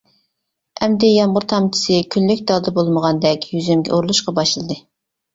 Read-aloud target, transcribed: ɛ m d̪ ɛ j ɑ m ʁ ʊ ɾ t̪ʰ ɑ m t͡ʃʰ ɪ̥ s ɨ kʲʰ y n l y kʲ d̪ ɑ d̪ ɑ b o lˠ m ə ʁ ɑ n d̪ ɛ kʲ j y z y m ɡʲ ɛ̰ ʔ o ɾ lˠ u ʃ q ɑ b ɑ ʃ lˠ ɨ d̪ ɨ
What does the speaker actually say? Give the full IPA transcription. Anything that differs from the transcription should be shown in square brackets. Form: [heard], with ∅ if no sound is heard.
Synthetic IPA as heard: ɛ m d̪ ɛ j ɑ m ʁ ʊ ɾ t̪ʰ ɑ m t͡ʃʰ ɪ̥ s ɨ kʲʰ y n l y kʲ d̪ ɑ d̪ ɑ b o lˠ m ə ʁ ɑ n d̪ ɛ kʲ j y z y m ɡʲ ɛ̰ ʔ o ɾ lˠ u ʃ q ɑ b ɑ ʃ lˠ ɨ d̪ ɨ